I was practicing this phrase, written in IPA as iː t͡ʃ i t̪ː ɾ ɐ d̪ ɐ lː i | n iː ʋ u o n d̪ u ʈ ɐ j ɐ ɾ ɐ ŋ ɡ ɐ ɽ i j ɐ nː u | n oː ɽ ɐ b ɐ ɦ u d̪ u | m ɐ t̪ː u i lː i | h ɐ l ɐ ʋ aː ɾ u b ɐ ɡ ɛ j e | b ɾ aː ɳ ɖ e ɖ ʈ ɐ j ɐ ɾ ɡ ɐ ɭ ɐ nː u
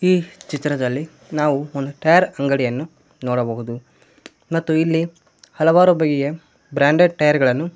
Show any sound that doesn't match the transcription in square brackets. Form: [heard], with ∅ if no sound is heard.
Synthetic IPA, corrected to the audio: iː t͡ʃ i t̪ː ɾ ɐ d̪ ɐ lː i | n [aː] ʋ u o n d̪ u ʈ ɐ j ɐ ɾ ɐ ŋ ɡ ɐ ɽ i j ɐ nː u | n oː ɽ ɐ b ɐ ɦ u d̪ u | m ɐ t̪ː u i lː i | h ɐ l ɐ ʋ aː ɾ u b ɐ ɡ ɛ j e | b ɾ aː ɳ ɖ e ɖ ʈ ɐ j ɐ ɾ ɡ ɐ ɭ ɐ nː u